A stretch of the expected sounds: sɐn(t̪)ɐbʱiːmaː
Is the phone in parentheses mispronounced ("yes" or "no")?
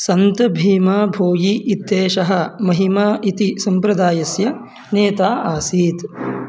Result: no